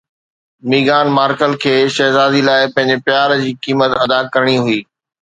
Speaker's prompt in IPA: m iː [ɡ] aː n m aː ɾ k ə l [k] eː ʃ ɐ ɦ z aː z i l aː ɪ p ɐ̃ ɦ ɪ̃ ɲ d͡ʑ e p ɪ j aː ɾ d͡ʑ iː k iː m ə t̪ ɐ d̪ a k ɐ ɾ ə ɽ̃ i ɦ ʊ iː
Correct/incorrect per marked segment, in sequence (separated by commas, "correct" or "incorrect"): correct, incorrect